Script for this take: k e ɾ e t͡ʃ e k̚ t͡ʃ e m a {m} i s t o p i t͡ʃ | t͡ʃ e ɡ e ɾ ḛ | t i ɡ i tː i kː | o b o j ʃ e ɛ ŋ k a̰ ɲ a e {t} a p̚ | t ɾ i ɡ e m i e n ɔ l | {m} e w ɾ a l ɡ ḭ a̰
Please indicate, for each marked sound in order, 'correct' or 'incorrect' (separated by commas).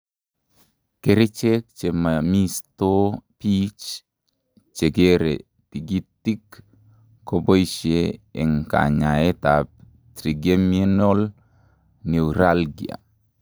correct, correct, incorrect